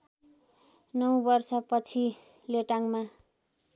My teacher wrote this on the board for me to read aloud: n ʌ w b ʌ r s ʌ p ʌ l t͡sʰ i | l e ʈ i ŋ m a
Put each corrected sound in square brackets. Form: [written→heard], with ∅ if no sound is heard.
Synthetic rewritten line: n ʌ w b ʌ r s ʌ p ʌ [l→∅] t͡sʰ i | l e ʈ [i→a] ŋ m a